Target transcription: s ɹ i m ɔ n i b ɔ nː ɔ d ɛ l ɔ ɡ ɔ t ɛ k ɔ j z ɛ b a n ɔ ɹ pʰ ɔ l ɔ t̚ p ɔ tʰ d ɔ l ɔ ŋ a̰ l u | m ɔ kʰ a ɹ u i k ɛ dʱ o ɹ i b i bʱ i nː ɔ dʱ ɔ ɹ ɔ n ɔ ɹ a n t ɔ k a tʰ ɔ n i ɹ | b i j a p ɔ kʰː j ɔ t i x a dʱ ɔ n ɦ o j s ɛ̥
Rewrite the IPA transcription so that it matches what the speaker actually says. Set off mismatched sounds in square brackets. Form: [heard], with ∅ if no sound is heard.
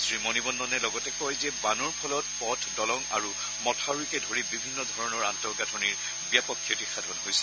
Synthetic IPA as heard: s ɹ i m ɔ n i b ɔ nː ɔ [n] ɛ l ɔ ɡ ɔ t ɛ k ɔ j z ɛ b a n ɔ ɹ pʰ ɔ l ɔ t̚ p ɔ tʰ d ɔ l ɔ ŋ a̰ [ɹ] u | m ɔ [tʰ] a ɹ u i k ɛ dʱ o ɹ i b i bʱ i nː ɔ dʱ ɔ ɹ ɔ n ɔ ɹ a n t ɔ [ɡ] a tʰ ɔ n i ɹ | b i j a p ɔ kʰː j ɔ t i x a dʱ ɔ n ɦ o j s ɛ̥